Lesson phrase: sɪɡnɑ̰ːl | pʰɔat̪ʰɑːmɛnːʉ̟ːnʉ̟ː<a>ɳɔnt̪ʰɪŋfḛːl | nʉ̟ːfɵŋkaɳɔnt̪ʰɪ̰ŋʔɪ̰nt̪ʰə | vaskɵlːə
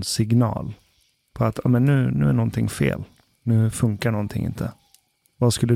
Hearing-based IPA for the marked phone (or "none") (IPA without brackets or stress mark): æ